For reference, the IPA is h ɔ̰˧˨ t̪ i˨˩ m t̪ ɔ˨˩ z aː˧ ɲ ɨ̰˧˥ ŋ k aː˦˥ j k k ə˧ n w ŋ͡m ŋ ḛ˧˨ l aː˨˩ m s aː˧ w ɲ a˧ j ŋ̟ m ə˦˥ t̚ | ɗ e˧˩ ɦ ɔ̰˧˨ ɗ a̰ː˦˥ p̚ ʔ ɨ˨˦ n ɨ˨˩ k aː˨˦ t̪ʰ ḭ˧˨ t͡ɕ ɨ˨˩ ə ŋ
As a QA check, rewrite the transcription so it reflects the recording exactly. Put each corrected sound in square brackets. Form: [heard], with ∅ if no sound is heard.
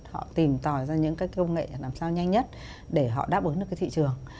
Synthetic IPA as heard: h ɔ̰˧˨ t̪ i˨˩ m t̪ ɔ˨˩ z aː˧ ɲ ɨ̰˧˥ ŋ k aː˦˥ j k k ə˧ [∅] w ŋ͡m ŋ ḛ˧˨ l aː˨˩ m s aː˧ w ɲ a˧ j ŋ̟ [ɲ] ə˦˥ t̚ | ɗ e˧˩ ɦ ɔ̰˧˨ ɗ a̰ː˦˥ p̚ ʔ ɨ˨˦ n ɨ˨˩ k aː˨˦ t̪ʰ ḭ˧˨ t͡ɕ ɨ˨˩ ə ŋ